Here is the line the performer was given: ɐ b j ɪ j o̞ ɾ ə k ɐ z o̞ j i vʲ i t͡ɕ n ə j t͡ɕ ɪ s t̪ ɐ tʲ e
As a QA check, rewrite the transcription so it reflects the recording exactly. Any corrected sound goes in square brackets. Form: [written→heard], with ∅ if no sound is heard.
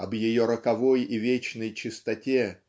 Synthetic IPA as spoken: ɐ b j ɪ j o̞ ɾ ə k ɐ [z→v] o̞ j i vʲ [i→e] t͡ɕ n ə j t͡ɕ ɪ s t̪ ɐ tʲ e